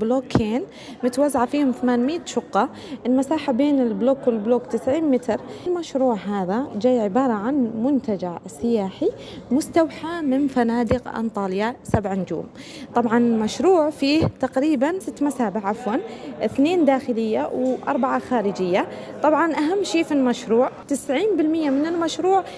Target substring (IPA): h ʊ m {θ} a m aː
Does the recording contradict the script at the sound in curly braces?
no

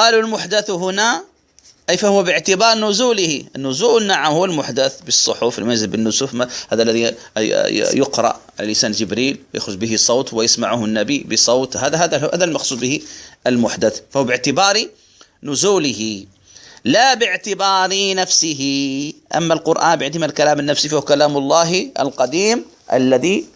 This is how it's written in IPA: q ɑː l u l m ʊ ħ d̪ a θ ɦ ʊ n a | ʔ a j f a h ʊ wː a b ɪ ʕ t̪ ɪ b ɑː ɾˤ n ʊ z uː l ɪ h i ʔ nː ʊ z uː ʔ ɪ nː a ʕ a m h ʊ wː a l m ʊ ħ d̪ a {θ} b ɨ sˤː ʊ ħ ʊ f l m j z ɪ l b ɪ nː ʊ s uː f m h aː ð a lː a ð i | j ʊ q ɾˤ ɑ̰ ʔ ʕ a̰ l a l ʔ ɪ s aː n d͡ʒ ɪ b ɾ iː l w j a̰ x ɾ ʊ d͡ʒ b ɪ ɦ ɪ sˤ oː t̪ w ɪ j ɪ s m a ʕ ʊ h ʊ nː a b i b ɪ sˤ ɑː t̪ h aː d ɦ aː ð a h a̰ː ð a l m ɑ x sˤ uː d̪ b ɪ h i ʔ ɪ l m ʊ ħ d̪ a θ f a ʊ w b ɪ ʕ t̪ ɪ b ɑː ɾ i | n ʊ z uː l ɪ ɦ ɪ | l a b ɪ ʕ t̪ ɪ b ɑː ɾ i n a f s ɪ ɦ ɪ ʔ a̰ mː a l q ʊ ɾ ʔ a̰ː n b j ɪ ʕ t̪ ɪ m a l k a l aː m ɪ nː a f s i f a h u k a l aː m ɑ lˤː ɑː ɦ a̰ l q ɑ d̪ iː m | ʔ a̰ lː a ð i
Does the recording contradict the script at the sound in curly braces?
no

